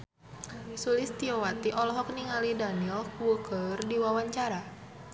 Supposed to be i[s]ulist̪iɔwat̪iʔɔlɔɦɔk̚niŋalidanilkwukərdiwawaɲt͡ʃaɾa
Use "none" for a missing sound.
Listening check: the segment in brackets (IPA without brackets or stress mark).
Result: s